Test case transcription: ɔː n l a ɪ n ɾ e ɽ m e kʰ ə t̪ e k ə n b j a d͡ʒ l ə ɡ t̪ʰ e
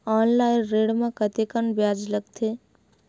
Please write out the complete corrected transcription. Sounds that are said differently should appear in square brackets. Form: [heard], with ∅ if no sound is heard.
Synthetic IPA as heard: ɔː n l a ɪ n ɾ e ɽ m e [k] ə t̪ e k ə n b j a d͡ʒ l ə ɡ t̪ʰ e